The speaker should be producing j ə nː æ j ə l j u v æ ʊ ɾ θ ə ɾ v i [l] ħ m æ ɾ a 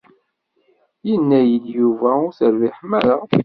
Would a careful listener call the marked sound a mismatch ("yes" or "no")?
yes